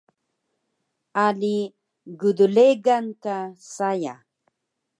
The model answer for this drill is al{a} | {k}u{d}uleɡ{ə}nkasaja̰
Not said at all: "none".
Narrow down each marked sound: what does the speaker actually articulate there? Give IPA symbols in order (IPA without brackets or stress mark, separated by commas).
i, ɡ, d, a